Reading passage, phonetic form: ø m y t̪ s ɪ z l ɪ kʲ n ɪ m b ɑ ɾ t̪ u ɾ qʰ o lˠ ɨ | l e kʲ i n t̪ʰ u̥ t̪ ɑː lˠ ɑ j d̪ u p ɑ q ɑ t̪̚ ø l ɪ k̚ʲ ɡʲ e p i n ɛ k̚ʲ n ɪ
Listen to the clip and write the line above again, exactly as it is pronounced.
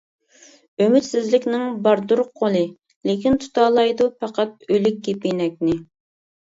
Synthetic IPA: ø m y t̪ s ɪ z l ɪ kʲ n ɪ ŋ b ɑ ɾ d̪ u ɾ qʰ o lˠ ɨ | l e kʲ i n t̪ʰ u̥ t̪ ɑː lˠ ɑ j d̪ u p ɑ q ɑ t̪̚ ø l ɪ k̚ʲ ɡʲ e p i n ɛ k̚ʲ n ɪ